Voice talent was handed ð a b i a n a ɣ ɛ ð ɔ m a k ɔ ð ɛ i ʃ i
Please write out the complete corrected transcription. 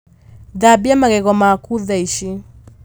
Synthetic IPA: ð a b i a m a ɣ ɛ ɣ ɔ m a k u ð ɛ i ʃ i